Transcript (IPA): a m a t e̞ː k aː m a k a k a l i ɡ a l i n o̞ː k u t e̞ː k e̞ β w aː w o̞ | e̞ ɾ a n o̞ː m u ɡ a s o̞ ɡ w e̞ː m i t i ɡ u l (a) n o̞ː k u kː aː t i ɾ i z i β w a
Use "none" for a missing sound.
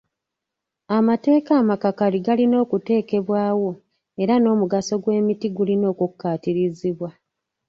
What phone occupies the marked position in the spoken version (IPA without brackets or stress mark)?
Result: i